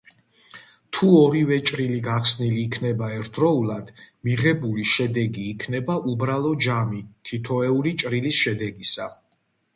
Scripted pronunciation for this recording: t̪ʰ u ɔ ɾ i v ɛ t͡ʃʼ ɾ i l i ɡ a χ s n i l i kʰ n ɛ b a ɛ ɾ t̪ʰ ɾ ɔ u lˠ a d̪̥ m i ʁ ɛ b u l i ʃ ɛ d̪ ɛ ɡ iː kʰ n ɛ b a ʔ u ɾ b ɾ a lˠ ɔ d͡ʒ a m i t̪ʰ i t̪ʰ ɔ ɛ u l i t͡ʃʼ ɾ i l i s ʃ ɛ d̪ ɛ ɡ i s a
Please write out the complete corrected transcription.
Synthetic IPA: t̪ʰ u ɔ ɾ i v ɛ t͡ʃʼ ɾ i l i ɡ a χ s n i l iː kʰ n ɛ b a ɛ ɾ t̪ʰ ɾ ɔ u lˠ a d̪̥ m i ʁ ɛ b u l i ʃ ɛ d̪ ɛ ɡ iː kʰ n ɛ b a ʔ u b ɾ a lˠ ɔ d͡ʒ a m i t̪ʰ i t̪ʰ ɔ ɛ u l i t͡ʃʼ ɾ i l i s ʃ ɛ d̪ ɛ ɡ i s a